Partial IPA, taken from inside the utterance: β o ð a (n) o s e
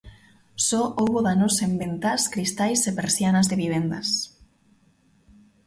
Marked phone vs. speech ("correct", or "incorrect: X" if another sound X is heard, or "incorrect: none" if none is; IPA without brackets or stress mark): correct